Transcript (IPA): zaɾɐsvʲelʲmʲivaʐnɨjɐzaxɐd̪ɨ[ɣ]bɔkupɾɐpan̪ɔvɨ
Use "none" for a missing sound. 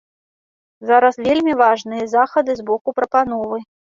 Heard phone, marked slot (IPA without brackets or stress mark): z